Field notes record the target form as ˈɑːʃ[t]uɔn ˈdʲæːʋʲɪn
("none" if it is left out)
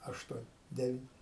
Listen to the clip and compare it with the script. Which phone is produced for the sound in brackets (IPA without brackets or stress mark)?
t